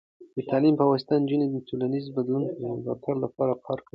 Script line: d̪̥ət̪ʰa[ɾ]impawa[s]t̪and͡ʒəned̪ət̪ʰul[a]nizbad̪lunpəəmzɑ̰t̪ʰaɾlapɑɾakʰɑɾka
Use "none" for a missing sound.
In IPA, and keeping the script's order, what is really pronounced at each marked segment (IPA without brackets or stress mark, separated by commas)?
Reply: l, s, a